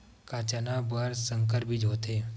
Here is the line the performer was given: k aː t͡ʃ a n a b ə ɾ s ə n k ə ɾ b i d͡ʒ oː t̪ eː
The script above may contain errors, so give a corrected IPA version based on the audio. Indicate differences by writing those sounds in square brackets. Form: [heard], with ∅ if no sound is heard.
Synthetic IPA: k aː t͡ʃ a n a b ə ɾ s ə [ŋ] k ə ɾ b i d͡ʒ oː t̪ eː